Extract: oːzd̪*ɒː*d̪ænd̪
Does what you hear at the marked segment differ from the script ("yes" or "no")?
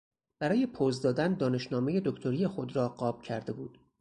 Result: no